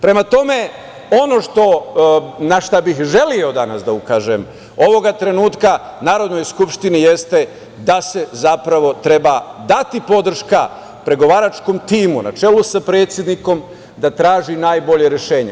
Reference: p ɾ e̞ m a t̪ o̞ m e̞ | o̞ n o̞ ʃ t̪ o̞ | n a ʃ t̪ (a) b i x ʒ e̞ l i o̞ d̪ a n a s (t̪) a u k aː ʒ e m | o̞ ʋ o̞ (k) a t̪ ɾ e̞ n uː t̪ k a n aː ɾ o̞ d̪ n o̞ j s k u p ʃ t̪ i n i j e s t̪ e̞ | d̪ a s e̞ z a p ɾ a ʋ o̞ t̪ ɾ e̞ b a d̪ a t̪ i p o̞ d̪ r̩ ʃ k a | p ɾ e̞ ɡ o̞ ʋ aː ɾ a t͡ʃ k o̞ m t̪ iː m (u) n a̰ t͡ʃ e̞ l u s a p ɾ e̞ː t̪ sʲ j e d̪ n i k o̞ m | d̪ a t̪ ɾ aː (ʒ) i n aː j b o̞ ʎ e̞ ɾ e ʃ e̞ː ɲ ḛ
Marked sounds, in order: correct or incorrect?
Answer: correct, incorrect: d̪, incorrect: ɡ, correct, correct

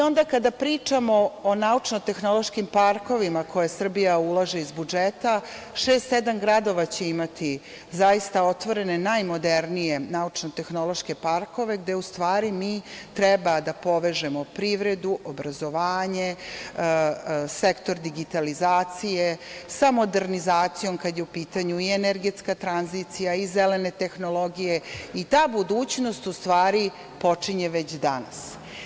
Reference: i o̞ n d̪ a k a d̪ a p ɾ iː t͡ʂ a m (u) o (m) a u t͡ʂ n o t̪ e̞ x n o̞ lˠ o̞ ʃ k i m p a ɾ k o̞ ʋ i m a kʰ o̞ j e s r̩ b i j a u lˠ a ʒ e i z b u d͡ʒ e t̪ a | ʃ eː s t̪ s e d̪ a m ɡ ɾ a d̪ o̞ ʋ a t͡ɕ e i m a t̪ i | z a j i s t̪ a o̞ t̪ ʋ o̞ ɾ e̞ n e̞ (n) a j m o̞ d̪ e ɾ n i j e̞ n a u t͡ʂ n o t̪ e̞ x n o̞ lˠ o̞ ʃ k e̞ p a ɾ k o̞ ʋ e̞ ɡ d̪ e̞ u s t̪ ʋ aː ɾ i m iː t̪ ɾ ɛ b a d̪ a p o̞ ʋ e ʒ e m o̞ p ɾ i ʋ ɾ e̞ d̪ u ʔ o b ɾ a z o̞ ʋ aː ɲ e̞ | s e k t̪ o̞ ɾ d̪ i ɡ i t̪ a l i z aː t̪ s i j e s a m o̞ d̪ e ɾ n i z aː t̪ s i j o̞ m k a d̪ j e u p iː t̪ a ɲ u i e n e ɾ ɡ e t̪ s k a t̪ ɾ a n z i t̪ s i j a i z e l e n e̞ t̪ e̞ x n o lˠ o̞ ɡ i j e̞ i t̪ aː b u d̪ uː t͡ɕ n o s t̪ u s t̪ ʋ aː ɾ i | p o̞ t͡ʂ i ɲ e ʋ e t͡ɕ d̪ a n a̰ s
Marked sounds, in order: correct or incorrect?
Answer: incorrect: o, incorrect: n, correct

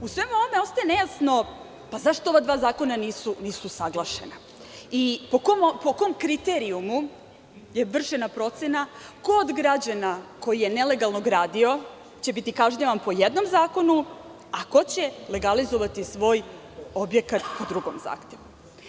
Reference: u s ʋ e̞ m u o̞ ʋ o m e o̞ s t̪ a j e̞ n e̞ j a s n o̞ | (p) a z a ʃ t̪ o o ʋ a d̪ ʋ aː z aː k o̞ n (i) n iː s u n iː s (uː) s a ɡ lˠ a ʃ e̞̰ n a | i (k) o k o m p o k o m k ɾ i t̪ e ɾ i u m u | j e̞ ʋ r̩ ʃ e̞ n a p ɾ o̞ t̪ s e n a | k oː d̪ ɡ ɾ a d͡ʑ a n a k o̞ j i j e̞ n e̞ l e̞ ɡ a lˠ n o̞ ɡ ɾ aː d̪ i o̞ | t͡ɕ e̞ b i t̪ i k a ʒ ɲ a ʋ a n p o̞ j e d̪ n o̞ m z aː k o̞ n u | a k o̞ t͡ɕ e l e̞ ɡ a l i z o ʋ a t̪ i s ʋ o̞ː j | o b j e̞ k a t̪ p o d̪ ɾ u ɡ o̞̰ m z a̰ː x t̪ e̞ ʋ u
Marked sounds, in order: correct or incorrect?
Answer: correct, incorrect: a, incorrect: u, incorrect: p

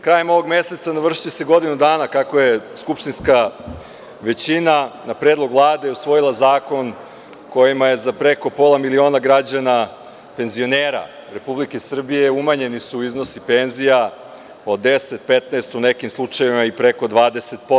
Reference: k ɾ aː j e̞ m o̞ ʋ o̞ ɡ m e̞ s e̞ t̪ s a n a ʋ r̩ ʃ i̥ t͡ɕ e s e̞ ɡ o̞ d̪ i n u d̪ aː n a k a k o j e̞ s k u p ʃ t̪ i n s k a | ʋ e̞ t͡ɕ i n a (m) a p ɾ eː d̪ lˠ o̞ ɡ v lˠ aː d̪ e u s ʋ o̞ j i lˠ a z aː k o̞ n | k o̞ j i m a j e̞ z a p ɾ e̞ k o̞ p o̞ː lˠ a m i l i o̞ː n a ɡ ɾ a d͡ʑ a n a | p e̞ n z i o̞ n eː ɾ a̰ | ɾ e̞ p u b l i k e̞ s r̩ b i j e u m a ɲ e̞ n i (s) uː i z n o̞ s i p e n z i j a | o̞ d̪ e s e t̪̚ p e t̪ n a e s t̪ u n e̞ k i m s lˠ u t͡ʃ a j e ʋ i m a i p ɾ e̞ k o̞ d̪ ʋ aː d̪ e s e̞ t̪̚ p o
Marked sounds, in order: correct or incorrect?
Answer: incorrect: n, correct

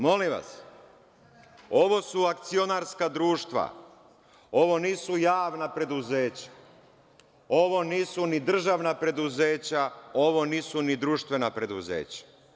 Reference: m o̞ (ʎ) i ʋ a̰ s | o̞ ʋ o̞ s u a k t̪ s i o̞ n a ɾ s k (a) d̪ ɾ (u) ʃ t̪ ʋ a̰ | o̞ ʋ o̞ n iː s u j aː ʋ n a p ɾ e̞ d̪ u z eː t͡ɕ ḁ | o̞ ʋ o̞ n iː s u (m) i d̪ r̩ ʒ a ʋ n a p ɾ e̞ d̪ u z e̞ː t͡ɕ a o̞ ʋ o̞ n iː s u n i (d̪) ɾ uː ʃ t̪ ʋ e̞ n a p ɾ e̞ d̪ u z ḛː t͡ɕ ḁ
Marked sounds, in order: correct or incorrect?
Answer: incorrect: l, correct, incorrect: uː, incorrect: n, correct

